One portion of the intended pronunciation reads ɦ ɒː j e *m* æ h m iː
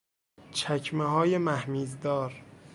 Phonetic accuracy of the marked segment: correct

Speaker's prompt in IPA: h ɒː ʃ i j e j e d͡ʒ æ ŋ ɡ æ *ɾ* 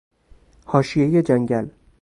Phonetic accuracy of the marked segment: incorrect: l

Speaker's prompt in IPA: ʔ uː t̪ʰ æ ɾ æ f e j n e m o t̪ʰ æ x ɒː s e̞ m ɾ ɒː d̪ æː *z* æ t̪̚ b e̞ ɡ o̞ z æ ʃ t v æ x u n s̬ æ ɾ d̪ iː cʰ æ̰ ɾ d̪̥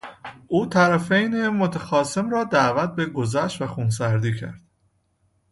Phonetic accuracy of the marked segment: incorrect: v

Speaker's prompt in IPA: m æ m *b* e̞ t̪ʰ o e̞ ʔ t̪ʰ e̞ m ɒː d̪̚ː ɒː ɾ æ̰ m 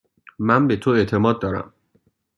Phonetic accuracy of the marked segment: correct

